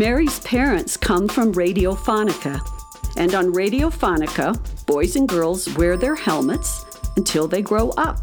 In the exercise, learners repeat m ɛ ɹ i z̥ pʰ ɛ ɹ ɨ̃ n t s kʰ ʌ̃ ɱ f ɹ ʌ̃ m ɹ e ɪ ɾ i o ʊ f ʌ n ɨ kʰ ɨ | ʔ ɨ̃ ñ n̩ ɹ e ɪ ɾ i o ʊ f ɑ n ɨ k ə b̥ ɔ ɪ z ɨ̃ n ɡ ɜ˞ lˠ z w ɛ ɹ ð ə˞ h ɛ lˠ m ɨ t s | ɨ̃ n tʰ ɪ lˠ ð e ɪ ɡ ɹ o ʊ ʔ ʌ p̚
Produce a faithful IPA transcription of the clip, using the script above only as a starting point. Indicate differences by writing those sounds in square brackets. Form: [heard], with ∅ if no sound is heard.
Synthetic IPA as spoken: m ɛ ɹ i z̥ pʰ ɛ ɹ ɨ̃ n t s kʰ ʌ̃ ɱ f ɹ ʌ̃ m ɹ e ɪ ɾ i o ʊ f [ɑ] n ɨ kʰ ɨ | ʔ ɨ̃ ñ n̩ ɹ e ɪ ɾ i o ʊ f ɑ n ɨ k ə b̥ ɔ ɪ z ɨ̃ n ɡ ɜ˞ lˠ z w ɛ ɹ ð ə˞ h ɛ lˠ m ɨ t s | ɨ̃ n tʰ ɪ lˠ ð e ɪ ɡ ɹ o ʊ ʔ ʌ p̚